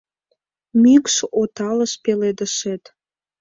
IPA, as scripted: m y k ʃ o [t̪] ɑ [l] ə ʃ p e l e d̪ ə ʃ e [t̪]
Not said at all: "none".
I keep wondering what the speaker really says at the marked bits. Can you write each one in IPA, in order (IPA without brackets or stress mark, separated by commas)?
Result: t̪, l, t̪